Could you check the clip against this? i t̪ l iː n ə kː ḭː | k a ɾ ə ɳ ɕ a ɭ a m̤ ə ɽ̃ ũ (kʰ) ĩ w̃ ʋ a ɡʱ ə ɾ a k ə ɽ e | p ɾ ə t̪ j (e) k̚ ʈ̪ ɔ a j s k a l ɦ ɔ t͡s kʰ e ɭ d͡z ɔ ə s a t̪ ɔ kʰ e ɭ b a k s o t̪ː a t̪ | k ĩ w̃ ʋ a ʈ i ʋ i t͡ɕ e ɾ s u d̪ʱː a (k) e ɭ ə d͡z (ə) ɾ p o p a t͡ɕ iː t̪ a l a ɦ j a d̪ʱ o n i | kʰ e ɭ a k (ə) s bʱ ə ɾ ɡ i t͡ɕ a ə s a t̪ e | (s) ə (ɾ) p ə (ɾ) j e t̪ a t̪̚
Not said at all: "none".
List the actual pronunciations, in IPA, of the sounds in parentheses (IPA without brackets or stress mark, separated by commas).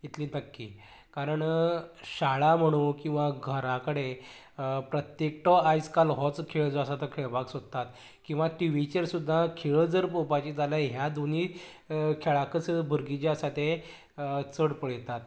k, e, kʰ, ə, ə, t͡s, ɽ, ɭ